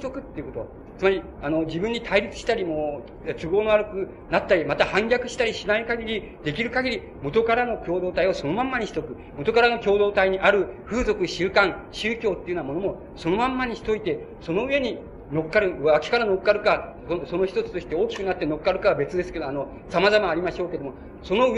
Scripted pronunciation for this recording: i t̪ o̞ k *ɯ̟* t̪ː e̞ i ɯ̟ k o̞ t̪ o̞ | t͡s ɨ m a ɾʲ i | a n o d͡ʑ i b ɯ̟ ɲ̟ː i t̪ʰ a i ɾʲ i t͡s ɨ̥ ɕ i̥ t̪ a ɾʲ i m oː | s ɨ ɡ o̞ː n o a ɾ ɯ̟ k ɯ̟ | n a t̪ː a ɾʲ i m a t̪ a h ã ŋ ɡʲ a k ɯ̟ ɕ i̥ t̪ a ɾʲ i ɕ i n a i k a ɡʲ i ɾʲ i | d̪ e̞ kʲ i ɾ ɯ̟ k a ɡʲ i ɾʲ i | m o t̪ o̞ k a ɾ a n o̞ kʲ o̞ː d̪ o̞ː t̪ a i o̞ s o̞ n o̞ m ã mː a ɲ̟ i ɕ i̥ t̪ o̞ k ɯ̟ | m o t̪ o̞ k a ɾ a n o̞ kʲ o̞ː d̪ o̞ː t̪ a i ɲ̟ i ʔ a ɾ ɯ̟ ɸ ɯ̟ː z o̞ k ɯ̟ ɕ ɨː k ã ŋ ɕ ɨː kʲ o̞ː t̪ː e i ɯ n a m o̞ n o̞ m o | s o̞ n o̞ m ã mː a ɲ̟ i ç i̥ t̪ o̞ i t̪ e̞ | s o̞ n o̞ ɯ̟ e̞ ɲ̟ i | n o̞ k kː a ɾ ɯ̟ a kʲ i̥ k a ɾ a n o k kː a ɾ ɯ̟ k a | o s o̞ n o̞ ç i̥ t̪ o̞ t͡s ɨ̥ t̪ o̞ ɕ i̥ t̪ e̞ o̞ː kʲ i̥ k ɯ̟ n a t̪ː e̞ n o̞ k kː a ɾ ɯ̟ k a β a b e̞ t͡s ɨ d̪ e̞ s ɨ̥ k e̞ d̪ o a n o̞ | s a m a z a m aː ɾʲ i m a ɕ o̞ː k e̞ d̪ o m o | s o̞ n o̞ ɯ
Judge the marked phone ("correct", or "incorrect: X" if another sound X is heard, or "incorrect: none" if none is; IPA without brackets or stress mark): correct